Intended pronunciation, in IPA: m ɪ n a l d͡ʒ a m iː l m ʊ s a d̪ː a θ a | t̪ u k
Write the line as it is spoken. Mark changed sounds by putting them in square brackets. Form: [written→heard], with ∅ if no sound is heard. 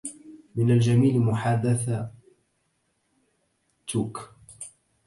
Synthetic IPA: m ɪ n a l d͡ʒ a m iː l m ʊ [s→ħ] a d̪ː a θ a | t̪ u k

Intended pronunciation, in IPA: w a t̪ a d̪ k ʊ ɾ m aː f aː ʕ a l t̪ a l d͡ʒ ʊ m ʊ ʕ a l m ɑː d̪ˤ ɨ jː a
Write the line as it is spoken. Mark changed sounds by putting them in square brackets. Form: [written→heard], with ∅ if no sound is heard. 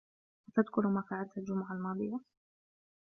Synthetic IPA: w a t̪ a d̪ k ʊ ɾ m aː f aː ʕ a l t̪ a l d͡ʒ ʊ m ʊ ʕ a l m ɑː d̪ˤ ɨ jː a

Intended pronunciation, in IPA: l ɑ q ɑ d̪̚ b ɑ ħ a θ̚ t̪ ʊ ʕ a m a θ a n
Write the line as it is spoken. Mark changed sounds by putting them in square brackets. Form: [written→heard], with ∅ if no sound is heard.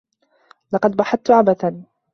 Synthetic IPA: l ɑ q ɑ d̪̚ b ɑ ħ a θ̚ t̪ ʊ ʕ a [m→b] a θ a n

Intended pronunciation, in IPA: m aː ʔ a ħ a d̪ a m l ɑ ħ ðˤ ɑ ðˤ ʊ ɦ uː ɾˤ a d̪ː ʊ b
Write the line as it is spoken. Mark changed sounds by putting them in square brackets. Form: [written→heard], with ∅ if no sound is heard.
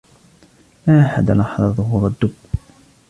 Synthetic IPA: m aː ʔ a ħ a d̪ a [m→∅] l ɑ ħ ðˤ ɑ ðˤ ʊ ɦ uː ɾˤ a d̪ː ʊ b

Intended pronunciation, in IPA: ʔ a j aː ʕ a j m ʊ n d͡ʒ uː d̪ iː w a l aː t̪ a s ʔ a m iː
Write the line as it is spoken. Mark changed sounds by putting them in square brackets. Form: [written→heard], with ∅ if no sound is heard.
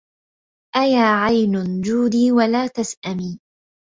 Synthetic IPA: ʔ a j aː ʕ a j [m→n] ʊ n d͡ʒ uː d̪ iː w a l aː t̪ a s ʔ a m iː

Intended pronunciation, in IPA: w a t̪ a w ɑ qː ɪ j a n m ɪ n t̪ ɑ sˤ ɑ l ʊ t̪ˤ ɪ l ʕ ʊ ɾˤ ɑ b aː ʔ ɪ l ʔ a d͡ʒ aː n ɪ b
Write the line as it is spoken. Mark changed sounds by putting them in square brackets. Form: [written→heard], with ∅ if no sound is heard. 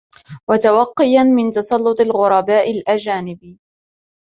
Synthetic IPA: w a t̪ a w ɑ qː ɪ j a n m ɪ n t̪ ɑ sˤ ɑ [l→lː] ʊ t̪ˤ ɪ l [ʕ→ɣ] ʊ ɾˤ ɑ b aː ʔ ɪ l ʔ a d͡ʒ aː n ɪ b

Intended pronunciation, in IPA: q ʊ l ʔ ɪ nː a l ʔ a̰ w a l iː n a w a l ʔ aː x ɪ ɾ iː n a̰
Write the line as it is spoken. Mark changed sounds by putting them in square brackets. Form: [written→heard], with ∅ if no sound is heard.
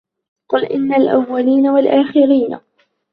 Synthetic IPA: q ʊ l ʔ ɪ nː a l ʔ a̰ [w→wː] a l iː n a w a l ʔ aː x ɪ ɾ iː n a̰

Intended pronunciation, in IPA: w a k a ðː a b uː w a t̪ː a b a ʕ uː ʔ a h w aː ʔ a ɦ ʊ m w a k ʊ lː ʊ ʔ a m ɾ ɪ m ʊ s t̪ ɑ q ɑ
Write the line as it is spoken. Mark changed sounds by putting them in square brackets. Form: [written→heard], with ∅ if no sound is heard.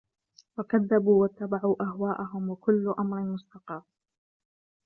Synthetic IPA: w a k a ðː a b uː w a t̪ː a b a ʕ uː ʔ a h w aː ʔ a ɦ ʊ m w a k ʊ lː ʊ ʔ a m ɾ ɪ m ʊ s t̪ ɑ q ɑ

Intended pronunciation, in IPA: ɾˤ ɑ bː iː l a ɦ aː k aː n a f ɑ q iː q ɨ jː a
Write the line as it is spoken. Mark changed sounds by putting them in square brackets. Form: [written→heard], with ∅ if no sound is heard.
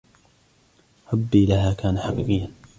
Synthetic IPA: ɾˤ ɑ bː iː l a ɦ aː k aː n a [f→ħ] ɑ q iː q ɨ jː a

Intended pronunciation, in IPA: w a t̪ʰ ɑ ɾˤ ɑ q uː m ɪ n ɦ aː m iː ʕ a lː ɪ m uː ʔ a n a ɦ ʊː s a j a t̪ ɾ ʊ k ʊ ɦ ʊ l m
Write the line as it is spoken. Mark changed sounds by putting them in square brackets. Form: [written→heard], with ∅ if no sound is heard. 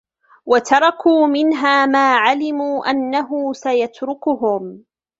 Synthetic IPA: w a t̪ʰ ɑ ɾˤ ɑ [q→k] uː m ɪ n ɦ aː m [iː→aː] ʕ a [lː→l] ɪ m uː ʔ a [n→nː] a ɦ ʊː s a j a t̪ ɾ ʊ k ʊ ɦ ʊ [l→∅] m

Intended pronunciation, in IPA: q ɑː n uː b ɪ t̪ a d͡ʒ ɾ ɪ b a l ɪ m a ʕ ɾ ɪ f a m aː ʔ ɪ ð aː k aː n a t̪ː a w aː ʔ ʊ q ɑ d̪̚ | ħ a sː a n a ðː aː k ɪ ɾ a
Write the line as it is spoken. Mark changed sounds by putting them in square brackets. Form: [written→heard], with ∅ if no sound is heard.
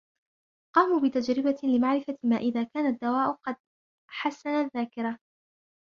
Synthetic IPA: q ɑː [n→m] uː b ɪ t̪ a d͡ʒ ɾ ɪ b a l ɪ m a ʕ ɾ ɪ f a m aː ʔ ɪ ð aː k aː n a [t̪ː→d̪ː] a w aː ʔ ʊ q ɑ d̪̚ | ħ a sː a n a ðː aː k ɪ ɾ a

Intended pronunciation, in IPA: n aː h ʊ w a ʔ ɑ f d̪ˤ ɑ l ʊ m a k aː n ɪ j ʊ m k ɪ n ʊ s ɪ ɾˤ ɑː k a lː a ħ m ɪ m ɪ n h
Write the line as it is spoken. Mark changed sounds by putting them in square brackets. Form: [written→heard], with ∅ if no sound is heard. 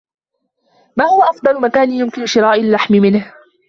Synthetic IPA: [n→m] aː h ʊ w a ʔ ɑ f d̪ˤ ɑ l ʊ m a k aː n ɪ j ʊ m k ɪ n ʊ [s→ʃ] ɪ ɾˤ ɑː [k→ʔ] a lː a ħ m ɪ m ɪ n h

